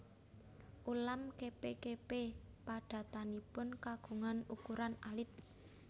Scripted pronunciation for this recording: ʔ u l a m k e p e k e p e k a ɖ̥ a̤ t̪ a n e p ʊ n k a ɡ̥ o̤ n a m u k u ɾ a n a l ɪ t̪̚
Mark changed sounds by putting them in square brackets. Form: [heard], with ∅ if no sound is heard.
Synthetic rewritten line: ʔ u l a m k e p e k e p e [p] a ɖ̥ a̤ t̪ a n [i] p ʊ n k a ɡ̥ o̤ [ŋ] a [n] u k u ɾ a n a l ɪ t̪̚